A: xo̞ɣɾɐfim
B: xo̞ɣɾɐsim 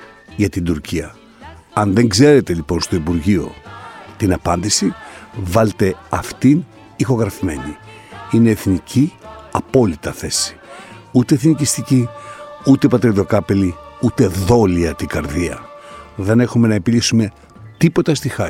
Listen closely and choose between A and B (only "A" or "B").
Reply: A